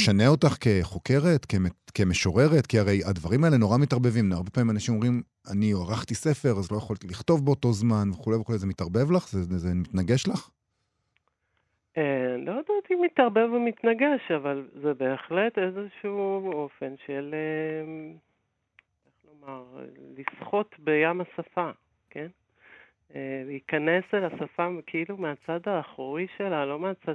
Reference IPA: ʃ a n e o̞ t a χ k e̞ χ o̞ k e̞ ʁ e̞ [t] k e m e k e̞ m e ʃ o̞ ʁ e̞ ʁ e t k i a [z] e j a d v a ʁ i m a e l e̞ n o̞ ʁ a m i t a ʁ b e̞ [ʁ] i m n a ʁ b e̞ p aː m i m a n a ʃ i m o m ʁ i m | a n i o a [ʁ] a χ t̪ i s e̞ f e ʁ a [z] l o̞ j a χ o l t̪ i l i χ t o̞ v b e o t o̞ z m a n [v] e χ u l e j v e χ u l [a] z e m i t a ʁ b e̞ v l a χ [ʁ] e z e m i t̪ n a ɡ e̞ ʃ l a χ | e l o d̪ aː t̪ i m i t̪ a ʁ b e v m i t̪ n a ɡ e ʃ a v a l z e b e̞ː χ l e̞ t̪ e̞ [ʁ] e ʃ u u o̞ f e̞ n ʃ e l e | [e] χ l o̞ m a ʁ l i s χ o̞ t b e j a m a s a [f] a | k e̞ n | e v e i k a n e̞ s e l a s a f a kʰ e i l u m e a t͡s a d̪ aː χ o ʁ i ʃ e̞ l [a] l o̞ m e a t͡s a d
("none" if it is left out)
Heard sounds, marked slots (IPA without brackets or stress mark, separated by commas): t, ʁ, v, ʁ, z, v, e, z, z, e, f, a